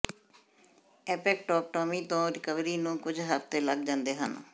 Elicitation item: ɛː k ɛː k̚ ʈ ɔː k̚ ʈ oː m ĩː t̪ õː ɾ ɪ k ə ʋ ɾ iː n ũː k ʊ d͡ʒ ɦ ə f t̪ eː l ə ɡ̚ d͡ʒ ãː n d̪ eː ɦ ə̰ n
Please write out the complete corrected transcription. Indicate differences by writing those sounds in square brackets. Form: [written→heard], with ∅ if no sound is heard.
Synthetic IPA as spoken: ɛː [k→p] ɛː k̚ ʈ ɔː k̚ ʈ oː m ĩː t̪ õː ɾ ɪ k ə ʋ ɾ iː n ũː k ʊ d͡ʒ ɦ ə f t̪ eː l ə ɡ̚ d͡ʒ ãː n d̪ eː ɦ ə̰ n

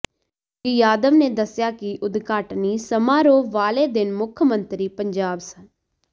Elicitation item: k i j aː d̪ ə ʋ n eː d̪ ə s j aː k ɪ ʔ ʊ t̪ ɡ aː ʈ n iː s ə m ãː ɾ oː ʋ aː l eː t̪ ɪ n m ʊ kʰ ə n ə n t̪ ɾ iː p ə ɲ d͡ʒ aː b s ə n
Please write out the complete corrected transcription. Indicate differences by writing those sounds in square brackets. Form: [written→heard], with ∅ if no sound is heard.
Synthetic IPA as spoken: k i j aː d̪ ə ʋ n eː d̪ ə s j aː k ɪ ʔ ʊ [t̪→d̪] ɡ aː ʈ n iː s ə m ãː ɾ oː ʋ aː l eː [t̪→d̪] ɪ n m ʊ kʰ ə [n→m] ə n t̪ ɾ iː p ə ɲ d͡ʒ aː b s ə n

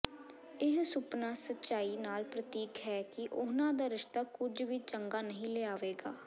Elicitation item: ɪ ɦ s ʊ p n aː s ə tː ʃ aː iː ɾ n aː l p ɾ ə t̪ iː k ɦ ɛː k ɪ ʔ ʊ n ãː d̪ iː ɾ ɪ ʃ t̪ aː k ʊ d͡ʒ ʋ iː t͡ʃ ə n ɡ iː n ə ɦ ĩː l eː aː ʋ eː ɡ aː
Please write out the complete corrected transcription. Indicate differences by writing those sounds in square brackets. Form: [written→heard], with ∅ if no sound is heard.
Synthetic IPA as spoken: ɪ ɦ s ʊ p n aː s ə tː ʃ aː iː [ɾ→∅] n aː l p ɾ ə t̪ iː k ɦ ɛː k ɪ ʔ ʊ n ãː d̪ [iː→aː] ɾ ɪ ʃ t̪ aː k ʊ d͡ʒ ʋ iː t͡ʃ ə [n→ŋ] ɡ [iː→aː] n ə ɦ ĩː l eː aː ʋ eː ɡ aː

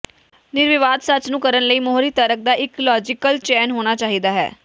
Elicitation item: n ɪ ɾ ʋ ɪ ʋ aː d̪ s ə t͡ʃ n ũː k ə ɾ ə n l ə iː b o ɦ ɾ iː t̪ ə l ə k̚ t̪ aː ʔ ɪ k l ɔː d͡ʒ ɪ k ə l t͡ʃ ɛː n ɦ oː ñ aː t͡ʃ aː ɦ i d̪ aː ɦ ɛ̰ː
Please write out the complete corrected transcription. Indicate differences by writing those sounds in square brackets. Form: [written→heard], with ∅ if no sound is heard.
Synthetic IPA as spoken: n ɪ ɾ ʋ ɪ ʋ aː d̪ s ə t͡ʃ n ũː k ə ɾ ə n l ə iː [b→m] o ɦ ɾ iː t̪ ə [l→ɾ] ə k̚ [t̪→d̪] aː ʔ ɪ k l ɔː d͡ʒ ɪ k ə l t͡ʃ ɛː n ɦ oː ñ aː t͡ʃ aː ɦ i d̪ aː ɦ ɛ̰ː

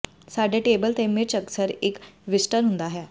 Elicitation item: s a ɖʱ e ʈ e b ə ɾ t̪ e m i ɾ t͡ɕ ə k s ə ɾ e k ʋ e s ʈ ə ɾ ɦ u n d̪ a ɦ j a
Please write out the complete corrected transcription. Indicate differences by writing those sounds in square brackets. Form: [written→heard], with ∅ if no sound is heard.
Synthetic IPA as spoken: s a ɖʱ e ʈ e b ə [ɾ→l] t̪ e m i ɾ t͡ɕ ə k s ə ɾ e k ʋ [e→i] s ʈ ə ɾ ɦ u n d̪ a ɦ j a

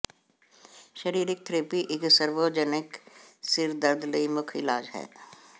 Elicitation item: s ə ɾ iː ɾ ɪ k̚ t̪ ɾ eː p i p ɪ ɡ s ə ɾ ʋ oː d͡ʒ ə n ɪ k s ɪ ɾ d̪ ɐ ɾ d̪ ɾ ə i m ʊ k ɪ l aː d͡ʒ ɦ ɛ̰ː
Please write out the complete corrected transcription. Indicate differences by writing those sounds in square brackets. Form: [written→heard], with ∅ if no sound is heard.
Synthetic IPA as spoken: [s→ʃ] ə ɾ iː ɾ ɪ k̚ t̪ ɾ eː p i [p→ʔ] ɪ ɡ s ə ɾ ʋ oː d͡ʒ ə n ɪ k s ɪ ɾ d̪ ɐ ɾ d̪ [ɾ→l] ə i m ʊ [k→kʰ] ɪ l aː d͡ʒ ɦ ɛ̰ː

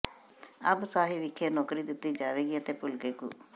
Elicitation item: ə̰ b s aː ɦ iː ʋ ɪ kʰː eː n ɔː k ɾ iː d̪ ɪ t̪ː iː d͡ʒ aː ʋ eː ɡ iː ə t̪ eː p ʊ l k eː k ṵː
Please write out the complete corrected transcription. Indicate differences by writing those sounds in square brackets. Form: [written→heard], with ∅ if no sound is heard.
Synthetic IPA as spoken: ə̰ b s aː ɦ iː ʋ ɪ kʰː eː n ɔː k ɾ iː d̪ ɪ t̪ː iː d͡ʒ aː ʋ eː ɡ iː ə t̪ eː p ʊ l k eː k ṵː

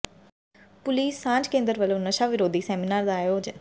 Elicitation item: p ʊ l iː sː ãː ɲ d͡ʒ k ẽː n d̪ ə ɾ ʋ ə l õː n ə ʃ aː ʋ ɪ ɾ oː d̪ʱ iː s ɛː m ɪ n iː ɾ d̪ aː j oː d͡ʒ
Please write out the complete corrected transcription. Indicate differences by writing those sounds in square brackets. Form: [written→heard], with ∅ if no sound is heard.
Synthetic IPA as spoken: p ʊ l iː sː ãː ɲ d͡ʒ k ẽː n d̪ ə ɾ ʋ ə l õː n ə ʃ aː ʋ ɪ ɾ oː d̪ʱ iː s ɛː m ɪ n [iː→aː] ɾ d̪ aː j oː d͡ʒ

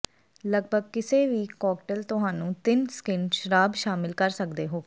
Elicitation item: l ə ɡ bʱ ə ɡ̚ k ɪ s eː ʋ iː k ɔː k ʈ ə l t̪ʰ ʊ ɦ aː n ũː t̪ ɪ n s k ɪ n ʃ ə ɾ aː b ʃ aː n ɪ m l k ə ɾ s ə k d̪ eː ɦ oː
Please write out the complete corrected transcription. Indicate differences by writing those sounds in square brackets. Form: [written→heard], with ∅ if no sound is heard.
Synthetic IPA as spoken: l ə ɡ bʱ ə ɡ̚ k ɪ s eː ʋ iː k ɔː k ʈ ə l [t̪ʰ→t̪] ʊ ɦ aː n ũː t̪ ɪ n s k ɪ n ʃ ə ɾ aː b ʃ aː [n→m] ɪ [m→∅] l k ə ɾ s ə k d̪ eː ɦ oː

